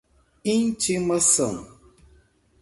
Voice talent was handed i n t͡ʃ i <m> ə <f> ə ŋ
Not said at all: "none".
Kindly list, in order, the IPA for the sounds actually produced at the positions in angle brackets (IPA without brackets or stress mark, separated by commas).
m, s